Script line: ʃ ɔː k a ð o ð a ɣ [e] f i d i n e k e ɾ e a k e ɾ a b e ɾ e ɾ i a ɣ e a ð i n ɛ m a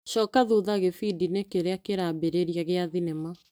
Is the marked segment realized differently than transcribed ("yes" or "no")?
no